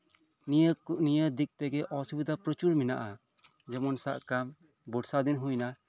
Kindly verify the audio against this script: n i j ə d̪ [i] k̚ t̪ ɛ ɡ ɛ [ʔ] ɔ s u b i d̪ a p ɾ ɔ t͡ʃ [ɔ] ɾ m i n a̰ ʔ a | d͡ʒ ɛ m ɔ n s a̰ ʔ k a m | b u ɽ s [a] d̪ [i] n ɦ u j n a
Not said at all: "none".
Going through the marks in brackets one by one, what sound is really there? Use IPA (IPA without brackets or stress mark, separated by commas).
i, ʔ, u, a, i